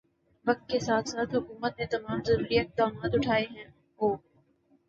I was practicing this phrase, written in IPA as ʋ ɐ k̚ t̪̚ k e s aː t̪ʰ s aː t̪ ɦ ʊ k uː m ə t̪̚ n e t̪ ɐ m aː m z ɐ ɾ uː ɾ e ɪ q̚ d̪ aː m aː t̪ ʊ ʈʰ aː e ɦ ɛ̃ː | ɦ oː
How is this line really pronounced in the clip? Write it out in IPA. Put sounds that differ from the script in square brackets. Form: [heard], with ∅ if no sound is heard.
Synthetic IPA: ʋ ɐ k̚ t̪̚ k e s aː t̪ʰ s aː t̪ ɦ ʊ k uː m ə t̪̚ n e t̪ ɐ m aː m z ɐ ɾ uː ɾ [i] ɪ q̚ d̪ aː m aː t̪ ʊ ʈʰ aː e ɦ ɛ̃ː | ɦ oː